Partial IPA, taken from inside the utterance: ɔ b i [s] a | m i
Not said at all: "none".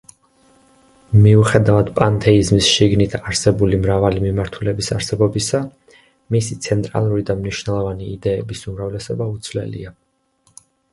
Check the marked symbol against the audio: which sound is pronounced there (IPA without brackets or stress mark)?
s